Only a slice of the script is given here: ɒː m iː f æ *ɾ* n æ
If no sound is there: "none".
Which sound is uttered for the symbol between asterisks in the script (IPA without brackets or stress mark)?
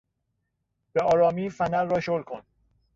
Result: none